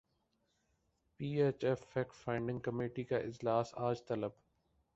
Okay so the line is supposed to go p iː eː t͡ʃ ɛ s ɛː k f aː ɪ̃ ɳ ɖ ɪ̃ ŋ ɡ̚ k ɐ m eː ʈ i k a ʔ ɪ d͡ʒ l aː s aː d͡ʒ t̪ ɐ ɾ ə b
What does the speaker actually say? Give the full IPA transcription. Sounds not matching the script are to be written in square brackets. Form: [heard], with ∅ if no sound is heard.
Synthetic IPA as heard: p iː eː t͡ʃ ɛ [f] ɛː k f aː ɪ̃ ɳ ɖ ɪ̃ ŋ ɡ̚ k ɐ m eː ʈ i k a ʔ ɪ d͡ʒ l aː s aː d͡ʒ t̪ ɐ [l] ə b